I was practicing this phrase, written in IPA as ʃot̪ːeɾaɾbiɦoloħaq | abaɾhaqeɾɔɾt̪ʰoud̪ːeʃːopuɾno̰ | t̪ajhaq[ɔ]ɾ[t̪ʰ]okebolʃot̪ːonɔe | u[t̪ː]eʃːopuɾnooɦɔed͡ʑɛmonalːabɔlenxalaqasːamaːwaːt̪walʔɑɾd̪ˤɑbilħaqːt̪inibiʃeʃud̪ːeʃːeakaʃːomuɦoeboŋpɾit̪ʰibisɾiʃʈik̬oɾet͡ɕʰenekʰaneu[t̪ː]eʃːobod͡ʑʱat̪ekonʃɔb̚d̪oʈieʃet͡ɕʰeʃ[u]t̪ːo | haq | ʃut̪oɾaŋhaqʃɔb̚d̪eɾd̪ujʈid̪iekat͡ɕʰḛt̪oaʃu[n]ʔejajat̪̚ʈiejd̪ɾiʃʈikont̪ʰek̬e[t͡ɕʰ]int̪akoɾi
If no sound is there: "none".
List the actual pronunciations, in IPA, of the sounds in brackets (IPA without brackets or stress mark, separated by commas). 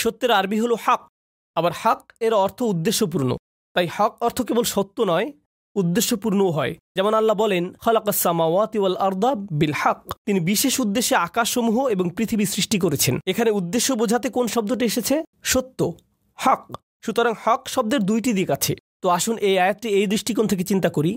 ɔ, t̪ʰ, d̪ː, d̪ː, o, n, t͡ɕ